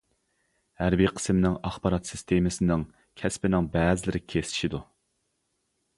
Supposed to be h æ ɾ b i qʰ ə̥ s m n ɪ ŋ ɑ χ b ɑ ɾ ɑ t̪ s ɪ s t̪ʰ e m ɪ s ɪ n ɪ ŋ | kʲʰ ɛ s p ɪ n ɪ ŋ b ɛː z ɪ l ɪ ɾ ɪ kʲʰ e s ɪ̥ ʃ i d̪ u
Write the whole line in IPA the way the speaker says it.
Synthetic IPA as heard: h æ ɾ b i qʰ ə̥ s m n ɪ ŋ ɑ χ b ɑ ɾ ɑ t̪ s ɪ s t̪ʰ e m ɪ s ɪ n ɪ ŋ | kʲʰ ɛ s p ɪ n ɪ ŋ b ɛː z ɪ l ɪ ɾ ɪ kʲʰ e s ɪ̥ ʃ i d̪ u

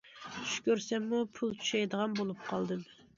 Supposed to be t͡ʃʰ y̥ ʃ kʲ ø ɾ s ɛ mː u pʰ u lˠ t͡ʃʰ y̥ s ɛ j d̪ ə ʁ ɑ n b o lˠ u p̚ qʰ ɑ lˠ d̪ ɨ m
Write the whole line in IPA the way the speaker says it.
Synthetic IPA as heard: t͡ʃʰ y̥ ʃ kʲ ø ɾ s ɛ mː u pʰ u lˠ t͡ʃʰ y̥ ʃ ɛ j d̪ ə ʁ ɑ n b o lˠ u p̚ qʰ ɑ lˠ d̪ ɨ m

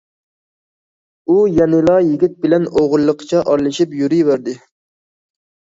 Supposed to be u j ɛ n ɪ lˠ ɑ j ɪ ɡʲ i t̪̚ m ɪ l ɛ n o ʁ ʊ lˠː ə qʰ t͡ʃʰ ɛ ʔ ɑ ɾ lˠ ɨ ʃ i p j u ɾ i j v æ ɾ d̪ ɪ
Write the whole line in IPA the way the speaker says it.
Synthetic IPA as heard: u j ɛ n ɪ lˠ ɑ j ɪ ɡʲ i t̪̚ b ɪ l ɛ n o ʁ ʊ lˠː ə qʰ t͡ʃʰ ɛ ʔ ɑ ɾ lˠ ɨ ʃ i p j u ɾ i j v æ ɾ d̪ ɪ

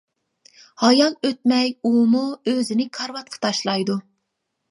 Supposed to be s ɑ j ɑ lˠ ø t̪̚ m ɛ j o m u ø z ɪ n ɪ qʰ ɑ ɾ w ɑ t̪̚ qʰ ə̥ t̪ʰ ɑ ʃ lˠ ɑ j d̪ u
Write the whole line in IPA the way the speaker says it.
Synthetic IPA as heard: h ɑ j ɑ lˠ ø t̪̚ m ɛ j u m u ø z ɪ n ɪ kʰ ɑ ɾ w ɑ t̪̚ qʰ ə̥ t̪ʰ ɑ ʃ lˠ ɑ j d̪ u

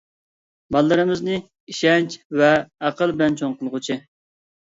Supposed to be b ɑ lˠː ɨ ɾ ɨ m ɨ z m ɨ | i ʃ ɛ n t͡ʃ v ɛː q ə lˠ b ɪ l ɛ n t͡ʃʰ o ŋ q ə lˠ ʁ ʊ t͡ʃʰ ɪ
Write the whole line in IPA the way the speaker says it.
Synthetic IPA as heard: b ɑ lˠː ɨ ɾ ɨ m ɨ z n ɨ | i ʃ ɛ n t͡ʃ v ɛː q ə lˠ b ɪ l ɛ n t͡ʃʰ o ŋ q ə lˠ ʁ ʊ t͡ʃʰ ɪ

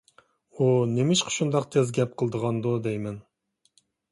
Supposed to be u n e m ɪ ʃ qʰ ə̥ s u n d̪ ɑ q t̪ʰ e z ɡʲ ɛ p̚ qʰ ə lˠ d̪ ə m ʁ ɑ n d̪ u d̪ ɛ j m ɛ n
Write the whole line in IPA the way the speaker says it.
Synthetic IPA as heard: u n e m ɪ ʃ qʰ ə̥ ʃ u n d̪ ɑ q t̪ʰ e z ɡʲ ɛ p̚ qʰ ə lˠ d̪ ə ʁ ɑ n d̪ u d̪ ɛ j m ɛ n

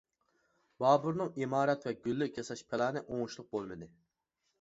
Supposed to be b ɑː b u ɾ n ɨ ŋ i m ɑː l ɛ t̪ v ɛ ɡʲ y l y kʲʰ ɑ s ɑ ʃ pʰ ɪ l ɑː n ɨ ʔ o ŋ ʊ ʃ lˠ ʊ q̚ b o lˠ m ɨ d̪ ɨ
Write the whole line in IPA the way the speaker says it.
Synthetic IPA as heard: b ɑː b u ɾ n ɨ ŋ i m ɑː ɾ ɛ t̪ v ɛ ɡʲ y lː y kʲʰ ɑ s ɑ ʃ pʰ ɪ l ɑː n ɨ ʔ o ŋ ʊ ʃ lˠ ʊ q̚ b o lˠ m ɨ d̪ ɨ

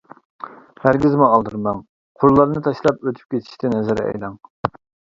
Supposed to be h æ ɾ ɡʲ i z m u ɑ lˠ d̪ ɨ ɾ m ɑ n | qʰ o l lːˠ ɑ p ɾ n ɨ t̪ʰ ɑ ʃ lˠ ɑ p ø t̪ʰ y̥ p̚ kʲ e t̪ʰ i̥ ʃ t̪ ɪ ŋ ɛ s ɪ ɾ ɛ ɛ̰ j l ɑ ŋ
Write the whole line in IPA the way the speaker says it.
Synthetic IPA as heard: h æ ɾ ɡʲ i z m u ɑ lˠ d̪ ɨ ɾ m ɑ ŋ | qʰ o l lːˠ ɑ ɾ n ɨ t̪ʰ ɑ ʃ lˠ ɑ p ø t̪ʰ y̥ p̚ kʲ e t̪ʰ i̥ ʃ t̪ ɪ n ɛ z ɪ ɾ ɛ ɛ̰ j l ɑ ŋ

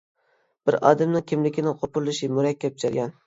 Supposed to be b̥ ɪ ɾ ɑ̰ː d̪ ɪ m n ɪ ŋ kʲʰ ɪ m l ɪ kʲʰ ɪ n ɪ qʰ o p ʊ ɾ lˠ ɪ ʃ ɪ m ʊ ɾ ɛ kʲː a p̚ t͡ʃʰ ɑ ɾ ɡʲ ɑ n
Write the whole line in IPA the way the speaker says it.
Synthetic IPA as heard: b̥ ɪ ɾ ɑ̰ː d̪ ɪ m n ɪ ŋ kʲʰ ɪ m l ɪ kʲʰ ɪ n ɪ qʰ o p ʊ ɾ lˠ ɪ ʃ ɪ m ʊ ɾ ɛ kʲː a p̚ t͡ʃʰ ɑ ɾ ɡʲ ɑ n

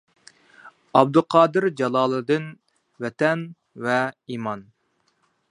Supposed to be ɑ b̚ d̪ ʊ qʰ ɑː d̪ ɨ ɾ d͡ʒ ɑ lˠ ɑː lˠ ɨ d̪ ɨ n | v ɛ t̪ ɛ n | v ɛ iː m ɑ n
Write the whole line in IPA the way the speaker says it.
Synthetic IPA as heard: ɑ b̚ d̪ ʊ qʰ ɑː d̪ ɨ ɾ d͡ʒ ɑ lˠ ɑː lˠ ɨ d̪ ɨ n | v ɛ t̪ ɛ n | v ɛ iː m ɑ n

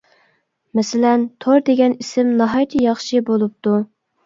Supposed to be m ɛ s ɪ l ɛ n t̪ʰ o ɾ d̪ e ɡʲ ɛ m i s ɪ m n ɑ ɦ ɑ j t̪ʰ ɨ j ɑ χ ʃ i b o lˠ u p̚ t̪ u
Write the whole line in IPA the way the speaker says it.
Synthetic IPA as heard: m ɛ s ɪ l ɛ n t̪ʰ o ɾ d̪ e ɡʲ ɛ n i s ɪ m n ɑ ɦ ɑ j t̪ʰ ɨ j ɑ χ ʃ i b o lˠ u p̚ t̪ u

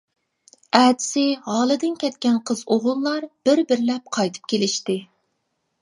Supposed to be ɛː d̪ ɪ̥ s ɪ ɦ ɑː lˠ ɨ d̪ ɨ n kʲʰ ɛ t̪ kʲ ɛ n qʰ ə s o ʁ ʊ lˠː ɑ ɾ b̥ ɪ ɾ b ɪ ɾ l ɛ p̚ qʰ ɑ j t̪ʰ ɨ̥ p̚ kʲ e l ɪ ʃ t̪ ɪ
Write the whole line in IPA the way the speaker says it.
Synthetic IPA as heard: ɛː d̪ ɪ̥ s ɪ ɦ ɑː lˠ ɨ d̪ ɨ n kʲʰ ɛ t̪ kʲ ɛ n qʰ ə z o ʁ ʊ lˠː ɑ ɾ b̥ ɪ ɾ b ɪ ɾ l ɛ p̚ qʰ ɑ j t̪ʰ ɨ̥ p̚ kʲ e l ɪ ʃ t̪ ɪ

